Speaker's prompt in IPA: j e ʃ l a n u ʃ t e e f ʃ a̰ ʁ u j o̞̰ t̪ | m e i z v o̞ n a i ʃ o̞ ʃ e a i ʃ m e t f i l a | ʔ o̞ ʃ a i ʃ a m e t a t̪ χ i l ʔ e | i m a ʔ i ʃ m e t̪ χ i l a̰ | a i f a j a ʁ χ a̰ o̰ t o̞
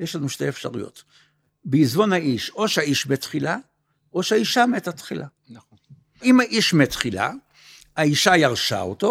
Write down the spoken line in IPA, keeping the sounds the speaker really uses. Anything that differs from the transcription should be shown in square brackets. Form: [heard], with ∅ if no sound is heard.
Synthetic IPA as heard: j e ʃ l a n u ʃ t e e f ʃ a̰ ʁ u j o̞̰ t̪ | [b] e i z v o̞ n a i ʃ o̞ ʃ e a i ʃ m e t [χ] i l a | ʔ o̞ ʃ a i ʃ a m e t a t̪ χ i l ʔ [a] | i m a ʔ i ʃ m e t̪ χ i l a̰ | a i [ʃ] a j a ʁ [ʃ] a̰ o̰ t o̞